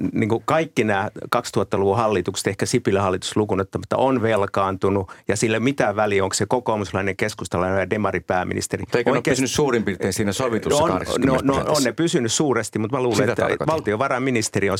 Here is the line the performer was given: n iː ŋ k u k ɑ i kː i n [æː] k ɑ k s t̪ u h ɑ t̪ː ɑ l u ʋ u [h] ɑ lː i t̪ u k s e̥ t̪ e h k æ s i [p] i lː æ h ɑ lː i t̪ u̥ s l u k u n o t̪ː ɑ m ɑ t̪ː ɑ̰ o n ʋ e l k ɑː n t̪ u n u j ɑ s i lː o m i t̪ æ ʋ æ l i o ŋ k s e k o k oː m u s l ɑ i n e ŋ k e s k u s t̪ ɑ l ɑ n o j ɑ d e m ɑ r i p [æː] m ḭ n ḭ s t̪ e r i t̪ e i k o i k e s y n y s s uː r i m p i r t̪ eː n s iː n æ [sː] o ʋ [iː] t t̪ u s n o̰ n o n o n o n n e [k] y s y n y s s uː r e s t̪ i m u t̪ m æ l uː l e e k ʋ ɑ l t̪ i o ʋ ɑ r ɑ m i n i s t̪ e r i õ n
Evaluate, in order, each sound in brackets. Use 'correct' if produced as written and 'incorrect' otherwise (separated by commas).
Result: correct, correct, correct, correct, incorrect, incorrect, incorrect